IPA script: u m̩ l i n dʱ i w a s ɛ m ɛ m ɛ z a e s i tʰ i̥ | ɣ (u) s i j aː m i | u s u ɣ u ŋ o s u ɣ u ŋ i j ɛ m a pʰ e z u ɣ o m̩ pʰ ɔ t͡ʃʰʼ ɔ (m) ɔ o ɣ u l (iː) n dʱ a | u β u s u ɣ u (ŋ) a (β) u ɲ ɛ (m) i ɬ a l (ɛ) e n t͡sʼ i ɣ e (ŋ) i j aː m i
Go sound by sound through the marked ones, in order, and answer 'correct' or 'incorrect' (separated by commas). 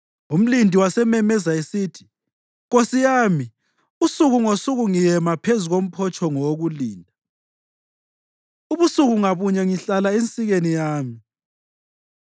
incorrect, incorrect, correct, correct, correct, incorrect, incorrect, incorrect